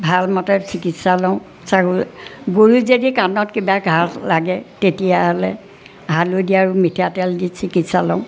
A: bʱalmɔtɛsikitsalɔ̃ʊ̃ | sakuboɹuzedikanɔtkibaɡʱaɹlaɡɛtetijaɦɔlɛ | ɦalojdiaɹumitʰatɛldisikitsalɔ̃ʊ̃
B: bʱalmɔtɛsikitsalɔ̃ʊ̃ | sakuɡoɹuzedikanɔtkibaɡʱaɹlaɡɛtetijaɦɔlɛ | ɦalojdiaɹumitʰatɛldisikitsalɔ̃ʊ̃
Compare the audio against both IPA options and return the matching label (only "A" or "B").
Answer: B